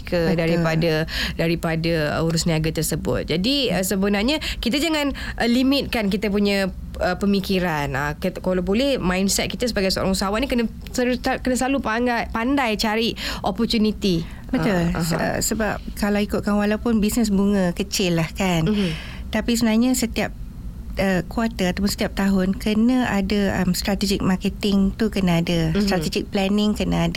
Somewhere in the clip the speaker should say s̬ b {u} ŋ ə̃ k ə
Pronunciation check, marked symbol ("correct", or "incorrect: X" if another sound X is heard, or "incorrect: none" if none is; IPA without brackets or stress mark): correct